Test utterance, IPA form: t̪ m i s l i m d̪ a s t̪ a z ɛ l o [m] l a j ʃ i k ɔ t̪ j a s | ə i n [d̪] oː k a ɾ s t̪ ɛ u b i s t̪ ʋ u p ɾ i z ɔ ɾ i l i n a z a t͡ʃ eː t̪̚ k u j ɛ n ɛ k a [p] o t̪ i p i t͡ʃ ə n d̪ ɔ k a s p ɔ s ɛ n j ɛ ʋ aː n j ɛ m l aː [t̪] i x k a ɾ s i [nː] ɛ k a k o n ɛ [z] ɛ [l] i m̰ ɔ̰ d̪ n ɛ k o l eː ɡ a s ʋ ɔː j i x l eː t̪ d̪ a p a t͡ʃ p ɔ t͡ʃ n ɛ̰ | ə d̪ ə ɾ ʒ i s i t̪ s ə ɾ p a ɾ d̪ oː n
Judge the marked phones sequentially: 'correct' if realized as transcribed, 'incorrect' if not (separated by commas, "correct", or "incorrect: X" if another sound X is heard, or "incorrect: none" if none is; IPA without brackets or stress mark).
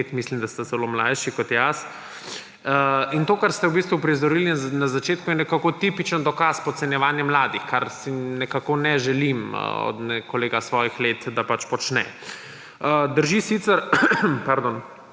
correct, incorrect: t̪, incorrect: k, incorrect: d̪, incorrect: n, incorrect: ʒ, correct